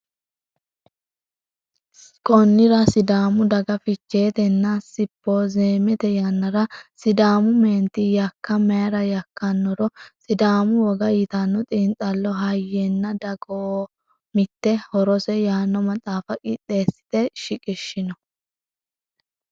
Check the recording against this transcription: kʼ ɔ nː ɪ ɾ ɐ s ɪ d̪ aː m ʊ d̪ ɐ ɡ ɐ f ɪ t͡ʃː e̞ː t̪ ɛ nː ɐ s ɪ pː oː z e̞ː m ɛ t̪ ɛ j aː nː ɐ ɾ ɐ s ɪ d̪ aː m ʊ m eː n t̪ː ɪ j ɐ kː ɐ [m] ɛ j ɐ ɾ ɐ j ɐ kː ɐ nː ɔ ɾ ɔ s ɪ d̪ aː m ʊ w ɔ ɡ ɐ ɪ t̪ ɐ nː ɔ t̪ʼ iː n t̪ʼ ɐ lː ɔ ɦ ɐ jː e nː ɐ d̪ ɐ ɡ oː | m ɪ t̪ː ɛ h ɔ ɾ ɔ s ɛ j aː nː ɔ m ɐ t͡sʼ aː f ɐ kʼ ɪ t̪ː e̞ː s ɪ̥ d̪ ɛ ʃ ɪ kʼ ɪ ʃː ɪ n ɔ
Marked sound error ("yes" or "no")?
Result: no